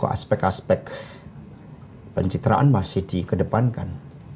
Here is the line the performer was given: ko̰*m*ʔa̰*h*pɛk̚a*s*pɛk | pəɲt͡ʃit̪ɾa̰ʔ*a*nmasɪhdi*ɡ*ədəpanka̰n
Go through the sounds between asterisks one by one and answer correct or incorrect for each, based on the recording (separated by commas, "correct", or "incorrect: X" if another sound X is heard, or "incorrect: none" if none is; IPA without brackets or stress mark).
incorrect: none, incorrect: s, correct, correct, incorrect: k